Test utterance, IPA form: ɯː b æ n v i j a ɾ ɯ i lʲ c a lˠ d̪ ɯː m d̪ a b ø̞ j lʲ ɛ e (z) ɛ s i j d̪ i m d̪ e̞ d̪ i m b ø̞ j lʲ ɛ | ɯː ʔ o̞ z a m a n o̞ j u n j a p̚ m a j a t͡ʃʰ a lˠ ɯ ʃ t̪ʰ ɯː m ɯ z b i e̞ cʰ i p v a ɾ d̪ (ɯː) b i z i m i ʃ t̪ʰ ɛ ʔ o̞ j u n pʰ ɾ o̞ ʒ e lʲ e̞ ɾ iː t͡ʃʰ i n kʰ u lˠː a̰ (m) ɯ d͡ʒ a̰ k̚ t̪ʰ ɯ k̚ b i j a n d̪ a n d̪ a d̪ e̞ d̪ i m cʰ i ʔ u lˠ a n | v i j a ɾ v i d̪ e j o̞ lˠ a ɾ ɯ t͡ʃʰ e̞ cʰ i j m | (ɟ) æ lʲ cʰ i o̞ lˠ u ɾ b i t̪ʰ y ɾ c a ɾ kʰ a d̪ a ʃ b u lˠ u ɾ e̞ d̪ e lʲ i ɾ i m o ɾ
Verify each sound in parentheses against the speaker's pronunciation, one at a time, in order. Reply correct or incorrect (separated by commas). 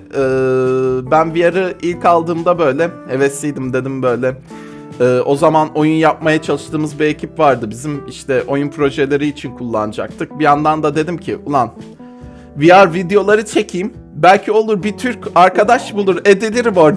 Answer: incorrect, incorrect, incorrect, incorrect